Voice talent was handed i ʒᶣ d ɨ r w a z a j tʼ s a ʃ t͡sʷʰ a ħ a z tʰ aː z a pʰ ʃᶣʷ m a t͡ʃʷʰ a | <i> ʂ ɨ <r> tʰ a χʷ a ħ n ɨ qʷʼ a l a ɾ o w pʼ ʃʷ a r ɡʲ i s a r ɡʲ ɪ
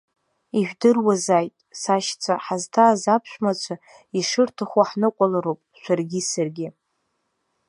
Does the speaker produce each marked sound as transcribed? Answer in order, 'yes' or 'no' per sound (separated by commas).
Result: yes, yes